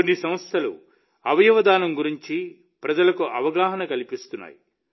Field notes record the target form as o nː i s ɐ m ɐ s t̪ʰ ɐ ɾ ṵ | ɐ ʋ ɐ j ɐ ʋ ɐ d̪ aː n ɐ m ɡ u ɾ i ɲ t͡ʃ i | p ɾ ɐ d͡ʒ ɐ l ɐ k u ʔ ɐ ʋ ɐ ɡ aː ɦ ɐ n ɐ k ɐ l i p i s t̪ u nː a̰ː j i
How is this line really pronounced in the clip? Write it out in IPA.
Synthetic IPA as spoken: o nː i s ɐ m ɐ s t̪ʰ ɐ l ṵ | ɐ ʋ ɐ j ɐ ʋ ɐ d̪ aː n ɐ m ɡ u ɾ i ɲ t͡ʃ i | p ɾ ɐ d͡ʒ ɐ l ɐ k u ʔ ɐ ʋ ɐ ɡ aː ɦ ɐ n ɐ k ɐ l i p i s t̪ u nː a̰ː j i